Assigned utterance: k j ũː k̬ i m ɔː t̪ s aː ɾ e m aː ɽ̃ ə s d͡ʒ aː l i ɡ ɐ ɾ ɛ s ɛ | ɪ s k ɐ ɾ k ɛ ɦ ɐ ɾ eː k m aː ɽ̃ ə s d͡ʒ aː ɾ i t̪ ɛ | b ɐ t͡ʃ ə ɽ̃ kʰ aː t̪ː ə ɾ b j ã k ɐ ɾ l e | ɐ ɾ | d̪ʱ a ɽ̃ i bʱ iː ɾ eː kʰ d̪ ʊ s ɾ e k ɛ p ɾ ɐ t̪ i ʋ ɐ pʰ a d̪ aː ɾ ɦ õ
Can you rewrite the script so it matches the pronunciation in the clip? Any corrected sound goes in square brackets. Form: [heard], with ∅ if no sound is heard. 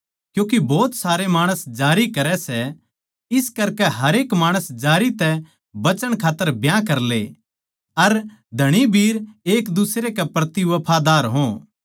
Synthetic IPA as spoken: k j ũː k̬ i [b] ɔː t̪ s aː ɾ e m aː ɽ̃ ə s d͡ʒ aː [ɾ] i [k] ɐ ɾ ɛ s ɛ | ɪ s k ɐ ɾ k ɛ ɦ ɐ ɾ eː k m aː ɽ̃ ə s d͡ʒ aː ɾ i t̪ ɛ | b ɐ t͡ʃ ə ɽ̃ kʰ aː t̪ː ə ɾ b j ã k ɐ ɾ l e | ɐ ɾ | d̪ʱ [ɐ] ɽ̃ i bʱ iː ɾ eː [k] d̪ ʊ s ɾ e k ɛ p ɾ ɐ t̪ i ʋ ɐ pʰ a d̪ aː ɾ ɦ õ